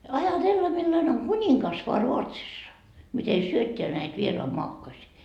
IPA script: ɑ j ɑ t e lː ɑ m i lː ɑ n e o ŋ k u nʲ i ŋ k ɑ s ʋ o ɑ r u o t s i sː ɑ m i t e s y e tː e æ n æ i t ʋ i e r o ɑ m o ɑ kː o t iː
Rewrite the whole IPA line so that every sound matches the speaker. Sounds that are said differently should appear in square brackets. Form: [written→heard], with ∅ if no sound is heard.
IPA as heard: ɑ j ɑ t e lː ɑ m i lː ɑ n e o ŋ k u nʲ i ŋ k ɑ s ʋ o ɑ r u o t s i sː ɑ m i t e s y [e→ø] tː e æ n æ i t ʋ i e r o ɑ m o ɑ kː o [t→s] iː